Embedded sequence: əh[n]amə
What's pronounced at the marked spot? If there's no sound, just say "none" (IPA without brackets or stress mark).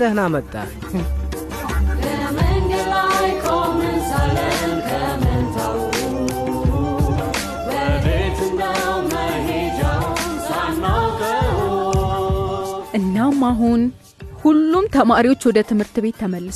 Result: n